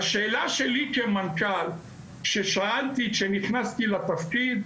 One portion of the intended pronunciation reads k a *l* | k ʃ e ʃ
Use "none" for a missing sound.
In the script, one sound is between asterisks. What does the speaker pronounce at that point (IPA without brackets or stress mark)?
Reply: l